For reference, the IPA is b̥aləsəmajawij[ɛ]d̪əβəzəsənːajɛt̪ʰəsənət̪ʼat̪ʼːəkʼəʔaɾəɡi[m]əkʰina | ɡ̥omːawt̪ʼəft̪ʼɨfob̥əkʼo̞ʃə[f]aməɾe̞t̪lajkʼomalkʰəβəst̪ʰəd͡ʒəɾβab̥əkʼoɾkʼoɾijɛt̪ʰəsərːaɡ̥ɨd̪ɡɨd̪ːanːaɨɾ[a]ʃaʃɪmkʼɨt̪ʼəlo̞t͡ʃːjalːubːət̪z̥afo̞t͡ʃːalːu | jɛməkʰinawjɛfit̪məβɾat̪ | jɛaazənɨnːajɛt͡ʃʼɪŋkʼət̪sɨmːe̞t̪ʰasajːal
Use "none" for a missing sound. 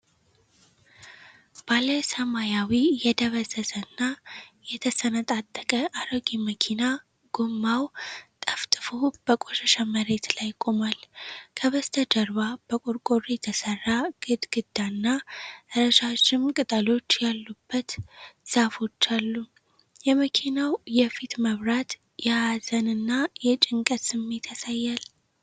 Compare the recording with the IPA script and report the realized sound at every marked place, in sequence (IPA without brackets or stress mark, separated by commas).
ɛ, m, ʃ, ə